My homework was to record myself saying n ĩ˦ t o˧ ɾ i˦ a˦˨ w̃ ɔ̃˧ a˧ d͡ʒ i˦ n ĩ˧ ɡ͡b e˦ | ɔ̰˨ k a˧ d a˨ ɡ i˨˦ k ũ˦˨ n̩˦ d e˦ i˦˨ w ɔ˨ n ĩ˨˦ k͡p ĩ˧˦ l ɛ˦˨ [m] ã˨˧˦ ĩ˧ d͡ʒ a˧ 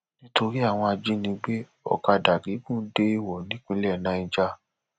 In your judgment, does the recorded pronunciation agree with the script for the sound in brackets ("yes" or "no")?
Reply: no